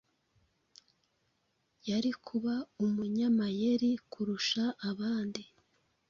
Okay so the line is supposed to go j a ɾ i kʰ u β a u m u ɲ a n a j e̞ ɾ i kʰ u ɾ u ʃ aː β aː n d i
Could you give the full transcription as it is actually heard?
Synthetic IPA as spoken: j a ɾ i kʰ u β a u m u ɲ a m a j e̞ ɾ i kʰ u ɾ u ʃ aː β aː n d i